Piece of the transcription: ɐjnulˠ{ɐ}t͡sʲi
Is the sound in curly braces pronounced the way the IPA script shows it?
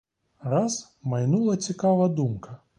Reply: yes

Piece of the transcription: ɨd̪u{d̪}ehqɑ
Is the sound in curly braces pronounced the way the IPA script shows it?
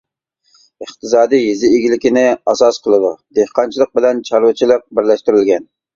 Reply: yes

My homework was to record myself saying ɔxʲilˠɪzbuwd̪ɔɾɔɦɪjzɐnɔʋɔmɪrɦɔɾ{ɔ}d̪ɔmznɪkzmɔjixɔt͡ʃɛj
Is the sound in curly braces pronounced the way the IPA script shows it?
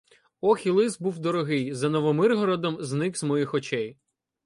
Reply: yes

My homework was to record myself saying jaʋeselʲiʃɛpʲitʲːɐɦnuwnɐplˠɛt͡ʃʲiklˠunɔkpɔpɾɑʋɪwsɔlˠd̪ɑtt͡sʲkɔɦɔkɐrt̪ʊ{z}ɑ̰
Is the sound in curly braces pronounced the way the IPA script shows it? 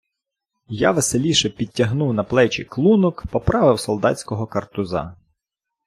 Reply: yes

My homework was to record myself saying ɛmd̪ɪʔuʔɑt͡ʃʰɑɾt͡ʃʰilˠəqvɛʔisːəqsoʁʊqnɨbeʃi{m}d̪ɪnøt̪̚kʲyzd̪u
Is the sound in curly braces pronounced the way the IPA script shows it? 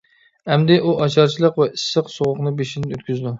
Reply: no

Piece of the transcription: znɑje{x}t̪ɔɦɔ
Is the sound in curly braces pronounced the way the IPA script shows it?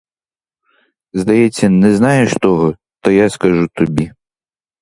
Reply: no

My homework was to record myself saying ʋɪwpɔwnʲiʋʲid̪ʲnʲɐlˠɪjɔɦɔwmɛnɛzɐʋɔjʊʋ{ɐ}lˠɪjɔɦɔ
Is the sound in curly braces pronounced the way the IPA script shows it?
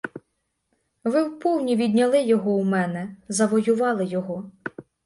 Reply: no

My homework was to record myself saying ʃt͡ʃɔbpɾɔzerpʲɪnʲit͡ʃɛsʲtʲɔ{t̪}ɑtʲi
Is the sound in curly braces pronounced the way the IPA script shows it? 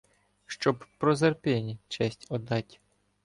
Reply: no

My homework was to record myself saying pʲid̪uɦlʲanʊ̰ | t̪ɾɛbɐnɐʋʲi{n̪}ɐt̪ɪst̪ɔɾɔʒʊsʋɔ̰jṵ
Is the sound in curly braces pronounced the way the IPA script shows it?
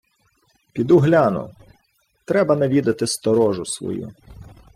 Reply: no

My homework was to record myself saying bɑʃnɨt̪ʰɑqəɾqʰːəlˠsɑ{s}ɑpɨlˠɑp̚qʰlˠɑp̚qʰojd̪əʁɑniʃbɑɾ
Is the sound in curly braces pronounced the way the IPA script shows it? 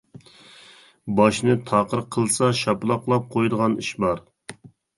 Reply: no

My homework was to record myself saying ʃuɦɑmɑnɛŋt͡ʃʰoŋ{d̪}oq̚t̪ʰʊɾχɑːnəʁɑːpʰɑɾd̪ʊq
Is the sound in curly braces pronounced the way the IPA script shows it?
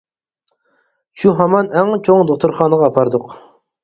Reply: yes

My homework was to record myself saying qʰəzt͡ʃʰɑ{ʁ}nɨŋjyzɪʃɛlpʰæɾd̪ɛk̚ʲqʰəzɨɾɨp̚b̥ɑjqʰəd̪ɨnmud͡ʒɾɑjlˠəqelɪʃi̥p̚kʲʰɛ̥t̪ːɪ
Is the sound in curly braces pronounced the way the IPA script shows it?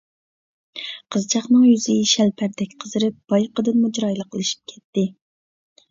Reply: no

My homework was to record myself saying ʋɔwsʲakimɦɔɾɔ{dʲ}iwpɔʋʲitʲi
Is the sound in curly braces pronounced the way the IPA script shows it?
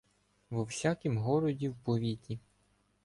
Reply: yes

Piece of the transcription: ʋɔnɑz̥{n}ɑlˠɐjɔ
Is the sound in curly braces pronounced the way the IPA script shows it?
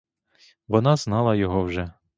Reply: yes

